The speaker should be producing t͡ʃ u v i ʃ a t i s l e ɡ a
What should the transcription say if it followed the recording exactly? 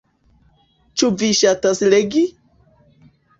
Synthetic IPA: t͡ʃ u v i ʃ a t a s l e ɡ i